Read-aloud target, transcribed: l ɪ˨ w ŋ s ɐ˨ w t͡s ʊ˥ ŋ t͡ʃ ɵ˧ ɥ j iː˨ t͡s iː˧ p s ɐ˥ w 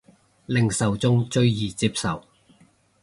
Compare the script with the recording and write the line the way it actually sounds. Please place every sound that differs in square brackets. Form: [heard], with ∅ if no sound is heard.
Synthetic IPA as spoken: l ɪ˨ [∅] ŋ s ɐ˨ w t͡s ʊ˥ ŋ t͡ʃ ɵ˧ ɥ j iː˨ t͡s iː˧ p s [ɐ˨] w